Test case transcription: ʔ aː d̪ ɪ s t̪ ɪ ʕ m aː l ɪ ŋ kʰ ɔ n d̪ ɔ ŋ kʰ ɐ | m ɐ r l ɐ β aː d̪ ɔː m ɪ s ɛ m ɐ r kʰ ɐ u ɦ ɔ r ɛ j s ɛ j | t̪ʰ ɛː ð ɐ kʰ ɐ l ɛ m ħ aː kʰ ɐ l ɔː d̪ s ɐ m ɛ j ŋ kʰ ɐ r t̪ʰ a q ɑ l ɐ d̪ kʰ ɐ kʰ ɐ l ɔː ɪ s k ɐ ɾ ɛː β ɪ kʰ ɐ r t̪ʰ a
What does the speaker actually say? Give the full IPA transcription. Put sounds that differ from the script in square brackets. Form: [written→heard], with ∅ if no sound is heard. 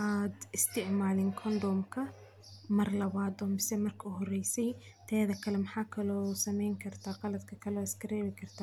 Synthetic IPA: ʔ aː d̪ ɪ s t̪ ɪ ʕ m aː l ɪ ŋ kʰ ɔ n d̪ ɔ [ŋ→m] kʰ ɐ | m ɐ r l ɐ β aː d̪ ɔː m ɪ s ɛ m ɐ r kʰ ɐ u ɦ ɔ r ɛ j s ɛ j | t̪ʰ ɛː ð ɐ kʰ ɐ l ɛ m ħ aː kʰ ɐ l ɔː [d̪→∅] s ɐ m ɛ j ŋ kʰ ɐ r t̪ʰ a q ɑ l ɐ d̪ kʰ ɐ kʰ ɐ l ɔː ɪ s k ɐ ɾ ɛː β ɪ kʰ ɐ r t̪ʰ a